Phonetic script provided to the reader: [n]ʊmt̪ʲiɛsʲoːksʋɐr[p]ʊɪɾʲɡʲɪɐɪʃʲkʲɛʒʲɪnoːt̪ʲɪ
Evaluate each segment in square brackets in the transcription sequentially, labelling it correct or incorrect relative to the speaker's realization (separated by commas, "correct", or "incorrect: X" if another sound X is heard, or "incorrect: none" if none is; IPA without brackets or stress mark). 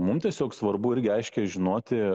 incorrect: m, incorrect: b